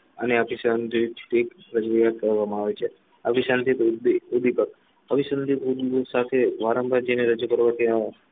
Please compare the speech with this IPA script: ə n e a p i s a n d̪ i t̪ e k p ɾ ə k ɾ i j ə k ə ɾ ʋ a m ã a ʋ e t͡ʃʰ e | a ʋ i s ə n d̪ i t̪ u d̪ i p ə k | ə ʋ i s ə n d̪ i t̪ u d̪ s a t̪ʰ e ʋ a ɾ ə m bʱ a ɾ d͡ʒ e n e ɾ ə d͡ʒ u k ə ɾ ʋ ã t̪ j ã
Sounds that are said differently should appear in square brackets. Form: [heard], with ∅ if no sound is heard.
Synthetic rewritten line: ə n e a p i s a n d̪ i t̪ e k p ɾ ə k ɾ i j [a] k ə ɾ ʋ a m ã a ʋ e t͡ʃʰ e | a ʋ i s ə n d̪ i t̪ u d̪ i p ə k | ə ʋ i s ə n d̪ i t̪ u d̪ s a t̪ʰ e ʋ a ɾ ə m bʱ a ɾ d͡ʒ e n e ɾ ə d͡ʒ u k ə ɾ ʋ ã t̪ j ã

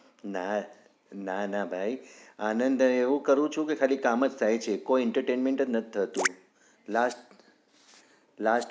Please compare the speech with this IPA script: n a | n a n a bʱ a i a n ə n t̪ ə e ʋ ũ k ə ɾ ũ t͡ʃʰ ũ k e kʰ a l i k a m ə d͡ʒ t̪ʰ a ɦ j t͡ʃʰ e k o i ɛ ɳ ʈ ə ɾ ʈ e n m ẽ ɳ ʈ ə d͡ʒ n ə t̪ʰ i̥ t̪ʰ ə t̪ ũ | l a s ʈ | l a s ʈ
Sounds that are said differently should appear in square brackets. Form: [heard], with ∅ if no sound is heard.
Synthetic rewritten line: n a | n a n a bʱ a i a n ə n [d̪] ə e ʋ ũ k ə ɾ ũ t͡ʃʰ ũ k e kʰ a l i k a m ə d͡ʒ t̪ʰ a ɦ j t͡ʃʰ e k o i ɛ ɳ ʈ ə ɾ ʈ e n m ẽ ɳ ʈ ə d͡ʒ n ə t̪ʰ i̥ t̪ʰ ə t̪ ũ | l a s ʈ | l a s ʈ

